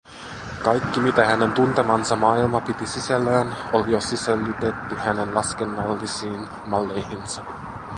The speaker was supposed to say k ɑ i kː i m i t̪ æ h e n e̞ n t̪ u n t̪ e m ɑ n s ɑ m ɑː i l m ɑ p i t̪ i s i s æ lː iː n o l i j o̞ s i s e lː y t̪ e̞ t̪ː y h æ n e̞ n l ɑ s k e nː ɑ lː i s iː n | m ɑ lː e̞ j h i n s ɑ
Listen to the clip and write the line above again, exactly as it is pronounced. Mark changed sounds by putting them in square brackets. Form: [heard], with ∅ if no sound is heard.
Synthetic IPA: k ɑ [j] kː i m i t̪ æ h [æ] n e̞ n t̪ u n t̪ e m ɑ n s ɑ m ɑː i l m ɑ p i t̪ i s i s æ lː [æː] n o l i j o̞ s i s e lː y t̪ e̞ t̪ː y h æ n e̞ n l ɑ s k e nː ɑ lː i s iː n | m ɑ lː e̞ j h i n s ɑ